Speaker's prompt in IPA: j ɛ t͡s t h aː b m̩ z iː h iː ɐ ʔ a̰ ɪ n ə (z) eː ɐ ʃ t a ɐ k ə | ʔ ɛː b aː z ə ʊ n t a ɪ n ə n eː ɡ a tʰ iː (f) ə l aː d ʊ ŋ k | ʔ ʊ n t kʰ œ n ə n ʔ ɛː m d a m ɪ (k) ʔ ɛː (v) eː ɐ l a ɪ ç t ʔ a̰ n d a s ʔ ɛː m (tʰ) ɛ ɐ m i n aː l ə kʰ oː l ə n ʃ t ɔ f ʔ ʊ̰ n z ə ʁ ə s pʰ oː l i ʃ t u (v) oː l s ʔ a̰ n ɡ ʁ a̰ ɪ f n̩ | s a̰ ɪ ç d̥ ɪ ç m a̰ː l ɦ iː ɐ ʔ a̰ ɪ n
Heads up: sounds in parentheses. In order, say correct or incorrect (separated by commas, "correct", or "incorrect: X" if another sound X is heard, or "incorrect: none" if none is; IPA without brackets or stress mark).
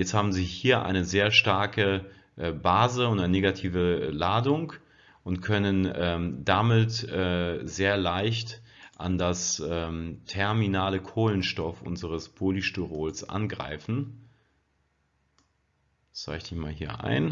correct, incorrect: v, incorrect: t, incorrect: z, correct, incorrect: ʁ